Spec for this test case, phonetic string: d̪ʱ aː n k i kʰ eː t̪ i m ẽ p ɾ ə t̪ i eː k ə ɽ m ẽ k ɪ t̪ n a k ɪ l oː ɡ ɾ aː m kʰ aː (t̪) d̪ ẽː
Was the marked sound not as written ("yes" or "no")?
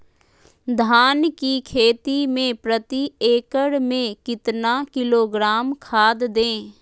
yes